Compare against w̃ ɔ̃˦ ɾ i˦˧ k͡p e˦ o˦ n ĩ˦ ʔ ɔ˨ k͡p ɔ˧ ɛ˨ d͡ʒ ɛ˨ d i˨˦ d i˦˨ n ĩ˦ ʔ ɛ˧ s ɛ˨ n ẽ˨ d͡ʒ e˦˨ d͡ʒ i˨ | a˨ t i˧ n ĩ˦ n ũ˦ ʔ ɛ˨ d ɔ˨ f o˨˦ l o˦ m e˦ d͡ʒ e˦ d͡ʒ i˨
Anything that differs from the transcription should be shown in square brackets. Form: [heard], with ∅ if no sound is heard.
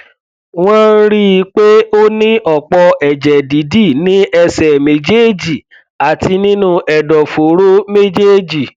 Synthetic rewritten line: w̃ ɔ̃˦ ɾ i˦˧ k͡p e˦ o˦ n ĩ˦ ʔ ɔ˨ k͡p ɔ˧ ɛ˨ d͡ʒ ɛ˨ d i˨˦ d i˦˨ n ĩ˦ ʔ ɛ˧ s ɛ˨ [m] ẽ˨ d͡ʒ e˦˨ d͡ʒ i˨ | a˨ t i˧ n ĩ˦ n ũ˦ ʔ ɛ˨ d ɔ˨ f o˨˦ [ɾ] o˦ m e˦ d͡ʒ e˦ d͡ʒ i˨